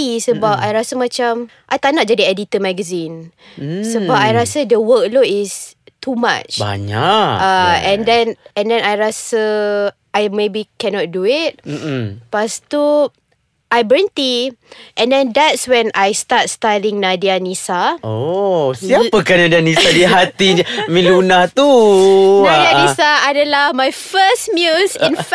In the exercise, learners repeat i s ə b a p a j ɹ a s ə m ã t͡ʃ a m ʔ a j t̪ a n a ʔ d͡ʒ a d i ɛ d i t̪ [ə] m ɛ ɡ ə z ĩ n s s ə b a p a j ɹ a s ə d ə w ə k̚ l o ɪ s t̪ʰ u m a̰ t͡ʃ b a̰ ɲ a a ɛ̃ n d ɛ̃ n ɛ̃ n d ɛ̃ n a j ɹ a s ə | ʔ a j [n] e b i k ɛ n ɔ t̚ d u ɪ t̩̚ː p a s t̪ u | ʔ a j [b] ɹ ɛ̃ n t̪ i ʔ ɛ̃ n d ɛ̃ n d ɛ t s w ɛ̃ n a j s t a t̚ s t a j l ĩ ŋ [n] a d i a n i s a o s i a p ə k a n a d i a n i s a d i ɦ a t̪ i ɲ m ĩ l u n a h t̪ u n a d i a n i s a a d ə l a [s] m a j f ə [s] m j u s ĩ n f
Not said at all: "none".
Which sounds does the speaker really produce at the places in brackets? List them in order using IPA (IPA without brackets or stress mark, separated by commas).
ə, m, b, n, h, s